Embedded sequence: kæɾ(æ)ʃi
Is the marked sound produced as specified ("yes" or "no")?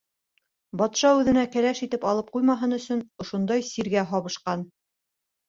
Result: yes